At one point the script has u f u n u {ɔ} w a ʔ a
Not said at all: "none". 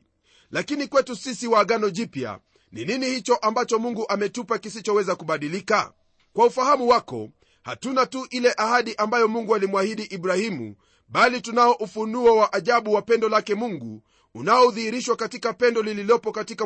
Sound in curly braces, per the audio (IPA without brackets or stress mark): ɔ